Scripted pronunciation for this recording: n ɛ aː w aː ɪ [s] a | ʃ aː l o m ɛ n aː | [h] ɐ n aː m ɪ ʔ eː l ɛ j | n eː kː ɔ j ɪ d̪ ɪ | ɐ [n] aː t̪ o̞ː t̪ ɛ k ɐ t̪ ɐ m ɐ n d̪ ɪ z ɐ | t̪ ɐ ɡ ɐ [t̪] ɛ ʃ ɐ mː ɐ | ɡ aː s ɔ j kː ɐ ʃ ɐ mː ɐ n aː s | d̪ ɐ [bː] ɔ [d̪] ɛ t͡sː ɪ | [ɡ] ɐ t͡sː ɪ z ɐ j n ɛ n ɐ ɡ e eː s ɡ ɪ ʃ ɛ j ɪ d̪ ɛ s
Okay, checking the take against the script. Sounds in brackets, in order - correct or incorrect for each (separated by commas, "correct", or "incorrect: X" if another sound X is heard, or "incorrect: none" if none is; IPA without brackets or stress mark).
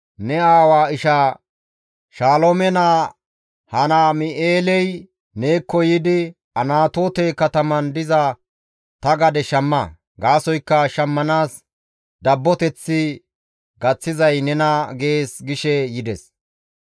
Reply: incorrect: ʃ, correct, correct, incorrect: d̪, correct, incorrect: t̪, correct